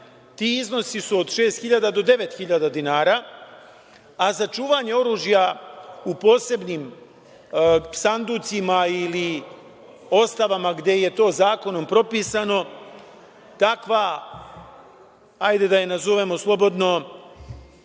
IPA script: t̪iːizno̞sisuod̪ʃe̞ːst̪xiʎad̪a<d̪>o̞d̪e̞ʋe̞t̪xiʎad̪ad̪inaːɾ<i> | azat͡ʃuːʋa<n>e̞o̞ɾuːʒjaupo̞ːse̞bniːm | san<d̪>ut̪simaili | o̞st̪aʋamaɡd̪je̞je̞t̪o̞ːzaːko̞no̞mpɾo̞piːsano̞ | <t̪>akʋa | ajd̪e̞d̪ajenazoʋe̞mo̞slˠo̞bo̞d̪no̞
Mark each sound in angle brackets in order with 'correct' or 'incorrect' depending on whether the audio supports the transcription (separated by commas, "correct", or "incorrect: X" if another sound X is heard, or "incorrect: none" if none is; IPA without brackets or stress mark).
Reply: correct, incorrect: a, incorrect: ɲ, correct, correct